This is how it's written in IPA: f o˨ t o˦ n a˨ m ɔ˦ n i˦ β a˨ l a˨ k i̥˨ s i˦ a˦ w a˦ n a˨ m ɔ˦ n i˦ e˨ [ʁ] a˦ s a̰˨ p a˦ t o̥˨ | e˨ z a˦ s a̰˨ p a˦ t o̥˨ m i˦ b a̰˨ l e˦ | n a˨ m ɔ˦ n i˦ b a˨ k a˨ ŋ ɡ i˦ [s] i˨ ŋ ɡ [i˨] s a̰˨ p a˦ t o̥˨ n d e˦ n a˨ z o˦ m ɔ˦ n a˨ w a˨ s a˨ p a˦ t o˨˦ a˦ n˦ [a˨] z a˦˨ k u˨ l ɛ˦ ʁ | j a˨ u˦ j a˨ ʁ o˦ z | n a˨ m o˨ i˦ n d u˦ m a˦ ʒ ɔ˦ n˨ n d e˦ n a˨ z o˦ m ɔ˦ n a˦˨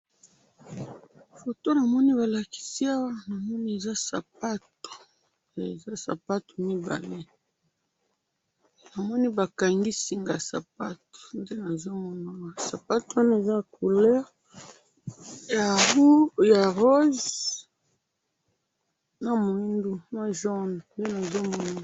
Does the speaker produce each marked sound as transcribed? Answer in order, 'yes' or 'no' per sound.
no, yes, no, no

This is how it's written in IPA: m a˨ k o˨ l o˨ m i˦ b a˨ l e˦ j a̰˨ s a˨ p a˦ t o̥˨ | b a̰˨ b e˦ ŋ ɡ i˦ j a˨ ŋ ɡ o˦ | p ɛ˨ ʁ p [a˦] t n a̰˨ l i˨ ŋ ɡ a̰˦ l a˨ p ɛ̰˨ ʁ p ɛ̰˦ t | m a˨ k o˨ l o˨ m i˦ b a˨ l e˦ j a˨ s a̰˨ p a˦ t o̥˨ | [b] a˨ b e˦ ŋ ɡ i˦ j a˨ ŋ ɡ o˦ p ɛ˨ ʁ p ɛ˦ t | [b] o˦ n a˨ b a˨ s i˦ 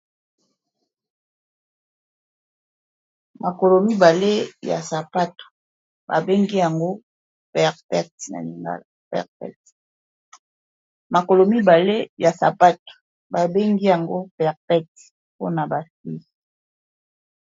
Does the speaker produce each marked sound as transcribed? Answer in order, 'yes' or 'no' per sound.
no, yes, no

